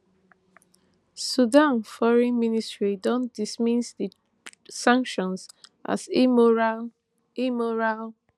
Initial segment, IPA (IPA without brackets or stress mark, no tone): s